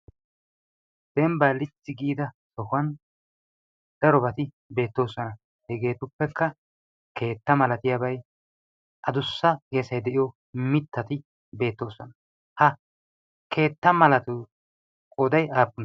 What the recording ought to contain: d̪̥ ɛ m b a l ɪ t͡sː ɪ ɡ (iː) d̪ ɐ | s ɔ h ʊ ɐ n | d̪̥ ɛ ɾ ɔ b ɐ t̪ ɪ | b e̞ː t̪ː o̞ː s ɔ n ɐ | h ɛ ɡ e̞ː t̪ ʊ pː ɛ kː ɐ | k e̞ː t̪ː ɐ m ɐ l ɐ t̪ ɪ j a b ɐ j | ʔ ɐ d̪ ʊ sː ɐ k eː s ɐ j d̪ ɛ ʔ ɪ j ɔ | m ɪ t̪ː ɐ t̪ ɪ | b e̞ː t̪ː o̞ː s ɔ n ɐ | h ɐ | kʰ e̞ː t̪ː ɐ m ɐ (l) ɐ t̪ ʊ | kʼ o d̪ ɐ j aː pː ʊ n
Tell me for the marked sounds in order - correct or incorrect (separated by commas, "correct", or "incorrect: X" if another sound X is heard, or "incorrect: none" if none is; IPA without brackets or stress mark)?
correct, correct